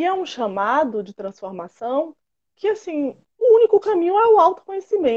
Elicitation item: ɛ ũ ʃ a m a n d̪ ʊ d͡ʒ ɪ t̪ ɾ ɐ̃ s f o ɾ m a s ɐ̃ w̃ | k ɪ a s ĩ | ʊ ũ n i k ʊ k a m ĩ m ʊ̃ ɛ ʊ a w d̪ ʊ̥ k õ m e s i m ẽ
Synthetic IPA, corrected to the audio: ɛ ũ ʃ a m a d̪ ʊ d͡ʒ ɪ t̪ ɾ ɐ̃ s f o ɾ m a s ɐ̃ w̃ | k ɪ a s ĩ | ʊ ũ n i k ʊ k a m ĩ ɲ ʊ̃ ɛ ʊ a w t̪ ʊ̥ k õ ɲ e s i m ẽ